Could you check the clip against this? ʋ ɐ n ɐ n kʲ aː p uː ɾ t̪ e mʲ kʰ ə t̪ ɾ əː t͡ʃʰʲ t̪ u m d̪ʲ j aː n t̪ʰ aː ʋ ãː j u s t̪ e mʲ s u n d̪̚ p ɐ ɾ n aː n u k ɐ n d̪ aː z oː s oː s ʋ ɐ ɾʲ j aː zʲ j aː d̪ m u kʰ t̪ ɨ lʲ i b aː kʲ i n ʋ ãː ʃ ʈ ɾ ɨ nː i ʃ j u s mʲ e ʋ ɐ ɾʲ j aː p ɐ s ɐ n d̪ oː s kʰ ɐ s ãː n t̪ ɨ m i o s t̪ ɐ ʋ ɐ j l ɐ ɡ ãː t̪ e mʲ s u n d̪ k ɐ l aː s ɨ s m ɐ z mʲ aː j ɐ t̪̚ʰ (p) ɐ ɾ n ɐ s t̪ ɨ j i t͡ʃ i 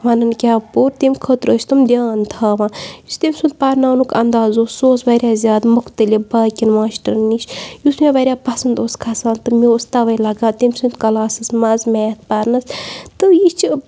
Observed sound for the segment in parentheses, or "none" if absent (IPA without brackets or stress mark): p